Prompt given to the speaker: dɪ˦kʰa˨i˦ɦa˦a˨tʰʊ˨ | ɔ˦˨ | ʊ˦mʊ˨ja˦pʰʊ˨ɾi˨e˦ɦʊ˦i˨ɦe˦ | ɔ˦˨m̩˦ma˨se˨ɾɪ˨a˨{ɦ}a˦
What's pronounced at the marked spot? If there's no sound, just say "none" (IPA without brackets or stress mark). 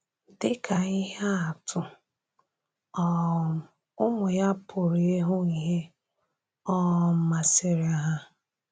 ɦ